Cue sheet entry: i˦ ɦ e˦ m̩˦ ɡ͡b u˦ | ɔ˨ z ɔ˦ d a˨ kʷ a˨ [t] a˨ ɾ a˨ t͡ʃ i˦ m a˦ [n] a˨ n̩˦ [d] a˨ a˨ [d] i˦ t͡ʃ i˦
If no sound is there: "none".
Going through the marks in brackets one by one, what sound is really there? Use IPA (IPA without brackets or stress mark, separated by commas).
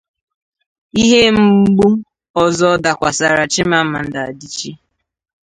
s, m, d, d